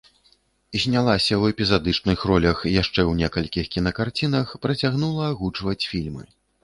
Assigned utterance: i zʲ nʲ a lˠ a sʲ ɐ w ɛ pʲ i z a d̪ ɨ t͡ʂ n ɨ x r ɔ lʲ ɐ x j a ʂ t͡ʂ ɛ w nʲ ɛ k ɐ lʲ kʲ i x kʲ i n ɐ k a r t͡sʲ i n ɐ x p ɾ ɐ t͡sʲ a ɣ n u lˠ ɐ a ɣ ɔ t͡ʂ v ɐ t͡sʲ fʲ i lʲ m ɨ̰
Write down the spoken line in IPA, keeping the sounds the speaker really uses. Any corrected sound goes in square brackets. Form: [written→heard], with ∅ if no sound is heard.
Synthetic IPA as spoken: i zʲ nʲ a lˠ a sʲ ɐ w ɛ pʲ i z a d̪ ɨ t͡ʂ n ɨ x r ɔ lʲ ɐ x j a ʂ t͡ʂ ɛ w nʲ ɛ k ɐ lʲ kʲ i x kʲ i n ɐ k a r t͡sʲ i n ɐ x p ɾ ɐ t͡sʲ a ɣ n u lˠ ɐ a ɣ [ɔ→u] t͡ʂ v ɐ t͡sʲ fʲ i lʲ m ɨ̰